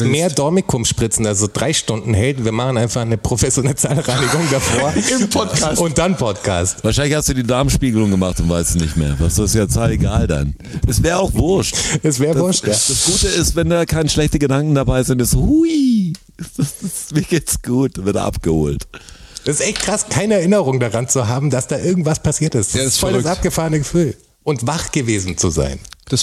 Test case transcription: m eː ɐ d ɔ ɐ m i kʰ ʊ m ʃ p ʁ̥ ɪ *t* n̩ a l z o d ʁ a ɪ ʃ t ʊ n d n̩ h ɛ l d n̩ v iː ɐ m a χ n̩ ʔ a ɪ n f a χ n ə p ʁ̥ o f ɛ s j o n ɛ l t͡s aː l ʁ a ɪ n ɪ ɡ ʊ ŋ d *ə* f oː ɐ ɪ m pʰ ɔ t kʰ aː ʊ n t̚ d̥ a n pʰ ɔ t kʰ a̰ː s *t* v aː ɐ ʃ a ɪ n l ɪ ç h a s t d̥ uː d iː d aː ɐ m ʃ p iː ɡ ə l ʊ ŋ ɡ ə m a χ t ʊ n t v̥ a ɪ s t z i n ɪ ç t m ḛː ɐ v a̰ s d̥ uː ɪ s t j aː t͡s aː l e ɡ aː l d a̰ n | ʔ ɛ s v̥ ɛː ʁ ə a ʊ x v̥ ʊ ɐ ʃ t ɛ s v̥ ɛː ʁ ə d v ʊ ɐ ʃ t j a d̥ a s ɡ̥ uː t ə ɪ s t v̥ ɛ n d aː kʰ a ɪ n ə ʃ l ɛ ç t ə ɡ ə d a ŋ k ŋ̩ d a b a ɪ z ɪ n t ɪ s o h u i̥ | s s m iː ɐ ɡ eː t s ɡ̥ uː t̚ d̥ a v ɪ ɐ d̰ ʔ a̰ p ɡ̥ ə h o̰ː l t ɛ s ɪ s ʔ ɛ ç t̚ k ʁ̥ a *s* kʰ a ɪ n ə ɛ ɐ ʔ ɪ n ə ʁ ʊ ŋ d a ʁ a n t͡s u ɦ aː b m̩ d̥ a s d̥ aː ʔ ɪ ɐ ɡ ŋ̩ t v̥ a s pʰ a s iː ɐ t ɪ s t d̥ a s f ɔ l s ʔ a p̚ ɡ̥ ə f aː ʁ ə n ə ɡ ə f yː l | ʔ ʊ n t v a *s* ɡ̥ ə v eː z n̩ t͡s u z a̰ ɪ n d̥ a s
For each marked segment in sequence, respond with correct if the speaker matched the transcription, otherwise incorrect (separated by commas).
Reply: incorrect, incorrect, correct, correct, incorrect